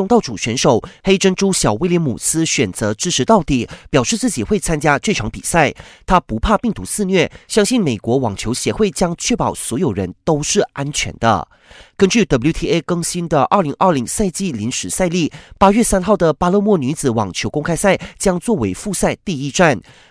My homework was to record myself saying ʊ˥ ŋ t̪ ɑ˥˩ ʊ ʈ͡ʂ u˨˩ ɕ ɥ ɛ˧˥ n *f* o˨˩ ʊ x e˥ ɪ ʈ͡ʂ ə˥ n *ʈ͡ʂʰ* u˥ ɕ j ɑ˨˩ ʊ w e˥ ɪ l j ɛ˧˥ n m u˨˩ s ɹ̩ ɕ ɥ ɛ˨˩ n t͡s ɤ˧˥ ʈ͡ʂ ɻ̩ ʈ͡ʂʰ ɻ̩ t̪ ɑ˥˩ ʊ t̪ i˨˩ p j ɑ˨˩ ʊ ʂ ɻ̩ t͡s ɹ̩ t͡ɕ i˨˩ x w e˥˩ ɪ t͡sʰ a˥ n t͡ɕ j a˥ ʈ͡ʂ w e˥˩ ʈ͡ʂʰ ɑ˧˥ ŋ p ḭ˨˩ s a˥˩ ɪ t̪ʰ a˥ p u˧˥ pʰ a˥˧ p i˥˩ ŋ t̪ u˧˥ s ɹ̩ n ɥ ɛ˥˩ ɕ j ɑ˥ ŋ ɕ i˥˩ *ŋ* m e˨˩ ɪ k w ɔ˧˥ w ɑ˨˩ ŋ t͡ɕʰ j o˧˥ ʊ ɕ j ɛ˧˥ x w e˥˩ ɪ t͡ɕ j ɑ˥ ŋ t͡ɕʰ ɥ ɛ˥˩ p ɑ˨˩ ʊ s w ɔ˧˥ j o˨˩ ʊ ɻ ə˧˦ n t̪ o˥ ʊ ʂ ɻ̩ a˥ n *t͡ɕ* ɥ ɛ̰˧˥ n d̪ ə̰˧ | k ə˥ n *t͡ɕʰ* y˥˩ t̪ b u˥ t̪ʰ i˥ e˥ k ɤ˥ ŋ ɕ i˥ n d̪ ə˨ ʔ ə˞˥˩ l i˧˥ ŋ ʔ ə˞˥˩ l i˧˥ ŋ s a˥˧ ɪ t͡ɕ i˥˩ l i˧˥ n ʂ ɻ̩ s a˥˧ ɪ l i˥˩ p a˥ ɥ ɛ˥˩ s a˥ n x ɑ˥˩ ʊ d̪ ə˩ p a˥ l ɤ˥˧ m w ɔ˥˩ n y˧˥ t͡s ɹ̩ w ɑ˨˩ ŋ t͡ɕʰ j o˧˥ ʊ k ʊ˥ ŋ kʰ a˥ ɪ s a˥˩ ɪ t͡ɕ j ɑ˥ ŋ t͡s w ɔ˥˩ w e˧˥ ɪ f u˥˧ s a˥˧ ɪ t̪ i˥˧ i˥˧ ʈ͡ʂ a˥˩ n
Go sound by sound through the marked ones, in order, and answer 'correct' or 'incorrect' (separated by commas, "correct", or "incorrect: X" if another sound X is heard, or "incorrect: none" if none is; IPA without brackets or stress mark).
incorrect: ʂ, incorrect: ʈ͡ʂ, incorrect: n, incorrect: t͡ɕʰ, incorrect: t͡ɕ